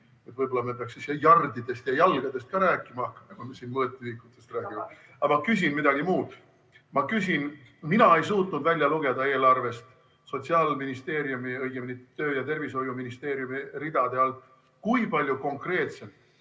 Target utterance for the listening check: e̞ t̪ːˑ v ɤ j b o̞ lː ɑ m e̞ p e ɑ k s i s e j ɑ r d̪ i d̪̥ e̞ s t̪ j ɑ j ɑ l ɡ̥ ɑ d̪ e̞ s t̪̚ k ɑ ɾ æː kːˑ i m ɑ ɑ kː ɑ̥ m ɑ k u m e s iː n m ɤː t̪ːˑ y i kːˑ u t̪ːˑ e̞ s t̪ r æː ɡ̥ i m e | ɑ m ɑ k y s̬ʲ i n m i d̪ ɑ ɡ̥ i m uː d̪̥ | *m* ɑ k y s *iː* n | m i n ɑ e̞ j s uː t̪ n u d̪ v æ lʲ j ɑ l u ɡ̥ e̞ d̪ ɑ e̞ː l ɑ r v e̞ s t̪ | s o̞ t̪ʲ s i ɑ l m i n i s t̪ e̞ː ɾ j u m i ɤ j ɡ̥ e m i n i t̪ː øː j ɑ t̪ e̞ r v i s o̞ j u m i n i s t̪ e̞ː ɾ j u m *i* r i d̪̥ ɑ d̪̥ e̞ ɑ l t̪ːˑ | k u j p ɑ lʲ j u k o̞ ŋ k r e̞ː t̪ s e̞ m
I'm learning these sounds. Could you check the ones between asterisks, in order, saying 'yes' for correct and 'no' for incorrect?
yes, no, yes

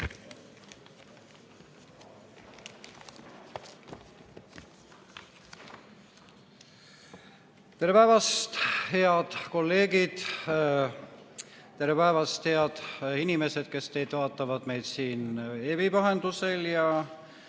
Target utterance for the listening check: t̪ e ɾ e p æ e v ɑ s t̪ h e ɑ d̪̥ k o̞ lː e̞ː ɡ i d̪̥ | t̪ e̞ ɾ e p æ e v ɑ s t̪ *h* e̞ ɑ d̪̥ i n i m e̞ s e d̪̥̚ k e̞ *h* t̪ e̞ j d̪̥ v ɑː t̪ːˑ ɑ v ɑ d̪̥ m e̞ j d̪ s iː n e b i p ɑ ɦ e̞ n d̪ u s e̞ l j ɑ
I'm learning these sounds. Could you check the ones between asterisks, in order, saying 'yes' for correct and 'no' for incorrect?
yes, no

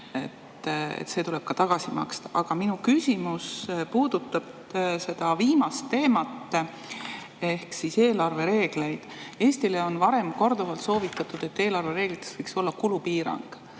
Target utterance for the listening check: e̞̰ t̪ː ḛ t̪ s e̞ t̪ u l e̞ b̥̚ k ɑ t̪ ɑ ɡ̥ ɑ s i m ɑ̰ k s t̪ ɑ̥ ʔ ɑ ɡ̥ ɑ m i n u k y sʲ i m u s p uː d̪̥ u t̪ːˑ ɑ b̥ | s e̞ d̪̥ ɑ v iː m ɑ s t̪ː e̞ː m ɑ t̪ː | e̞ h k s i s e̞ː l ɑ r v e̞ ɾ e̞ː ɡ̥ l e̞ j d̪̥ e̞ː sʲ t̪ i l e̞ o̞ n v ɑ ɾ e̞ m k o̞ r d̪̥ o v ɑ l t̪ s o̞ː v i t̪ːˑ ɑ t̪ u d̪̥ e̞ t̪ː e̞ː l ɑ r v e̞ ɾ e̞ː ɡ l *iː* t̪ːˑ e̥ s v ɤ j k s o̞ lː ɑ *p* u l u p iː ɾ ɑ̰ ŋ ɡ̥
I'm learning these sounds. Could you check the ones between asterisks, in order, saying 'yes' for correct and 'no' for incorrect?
no, no

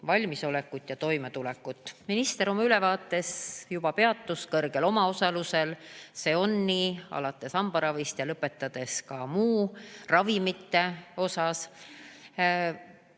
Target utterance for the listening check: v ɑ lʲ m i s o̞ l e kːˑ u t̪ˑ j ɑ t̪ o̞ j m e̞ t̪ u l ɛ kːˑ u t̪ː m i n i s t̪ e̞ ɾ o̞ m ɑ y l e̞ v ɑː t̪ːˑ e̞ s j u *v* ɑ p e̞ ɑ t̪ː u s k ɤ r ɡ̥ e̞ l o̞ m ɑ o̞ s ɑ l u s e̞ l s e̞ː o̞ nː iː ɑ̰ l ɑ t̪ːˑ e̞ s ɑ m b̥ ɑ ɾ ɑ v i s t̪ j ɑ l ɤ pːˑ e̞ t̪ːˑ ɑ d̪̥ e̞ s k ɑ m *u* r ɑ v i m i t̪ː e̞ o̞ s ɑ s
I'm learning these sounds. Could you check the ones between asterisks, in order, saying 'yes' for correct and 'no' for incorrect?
no, no

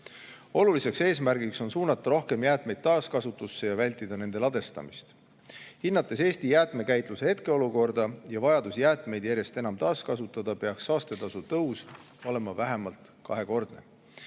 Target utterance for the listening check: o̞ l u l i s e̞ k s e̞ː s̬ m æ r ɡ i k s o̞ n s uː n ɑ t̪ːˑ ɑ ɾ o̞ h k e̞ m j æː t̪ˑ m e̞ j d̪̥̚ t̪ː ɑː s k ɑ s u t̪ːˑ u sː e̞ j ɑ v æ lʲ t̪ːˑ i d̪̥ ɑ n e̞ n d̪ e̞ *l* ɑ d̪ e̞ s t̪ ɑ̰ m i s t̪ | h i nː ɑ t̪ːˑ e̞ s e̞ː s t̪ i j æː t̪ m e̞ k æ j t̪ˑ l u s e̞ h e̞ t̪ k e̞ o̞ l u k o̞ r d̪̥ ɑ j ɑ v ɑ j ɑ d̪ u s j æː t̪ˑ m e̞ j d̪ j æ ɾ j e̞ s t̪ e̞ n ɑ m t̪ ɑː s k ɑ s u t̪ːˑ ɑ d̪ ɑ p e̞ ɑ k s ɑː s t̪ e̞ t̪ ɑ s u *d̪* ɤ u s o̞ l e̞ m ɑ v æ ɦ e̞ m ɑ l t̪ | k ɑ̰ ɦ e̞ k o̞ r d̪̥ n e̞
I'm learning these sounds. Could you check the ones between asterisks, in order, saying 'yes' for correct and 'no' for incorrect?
yes, no

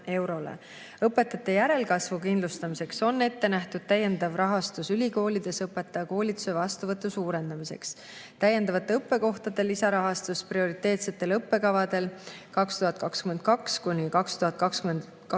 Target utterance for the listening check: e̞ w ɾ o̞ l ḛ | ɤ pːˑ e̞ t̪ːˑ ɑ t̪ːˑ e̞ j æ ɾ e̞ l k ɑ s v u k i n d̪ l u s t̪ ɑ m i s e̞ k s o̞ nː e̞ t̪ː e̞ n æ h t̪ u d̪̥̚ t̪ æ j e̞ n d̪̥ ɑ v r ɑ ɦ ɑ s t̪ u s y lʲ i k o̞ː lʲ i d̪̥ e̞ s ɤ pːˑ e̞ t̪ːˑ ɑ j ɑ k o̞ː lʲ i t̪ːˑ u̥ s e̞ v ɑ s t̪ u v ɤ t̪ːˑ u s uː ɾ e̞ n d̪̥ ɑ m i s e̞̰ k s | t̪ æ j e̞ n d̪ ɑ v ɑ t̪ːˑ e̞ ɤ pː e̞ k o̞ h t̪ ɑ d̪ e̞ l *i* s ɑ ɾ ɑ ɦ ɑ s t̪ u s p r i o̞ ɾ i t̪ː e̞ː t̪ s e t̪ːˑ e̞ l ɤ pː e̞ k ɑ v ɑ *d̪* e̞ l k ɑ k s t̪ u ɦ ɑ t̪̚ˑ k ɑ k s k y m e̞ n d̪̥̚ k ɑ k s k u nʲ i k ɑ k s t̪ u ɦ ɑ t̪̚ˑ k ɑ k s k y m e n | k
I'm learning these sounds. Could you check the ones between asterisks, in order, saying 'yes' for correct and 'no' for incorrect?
yes, yes

